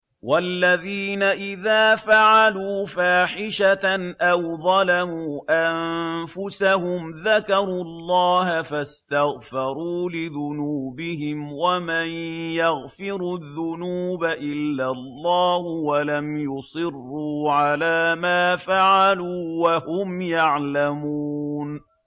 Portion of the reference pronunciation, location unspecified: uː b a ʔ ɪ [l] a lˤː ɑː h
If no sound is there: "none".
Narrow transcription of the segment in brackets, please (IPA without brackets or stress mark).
lː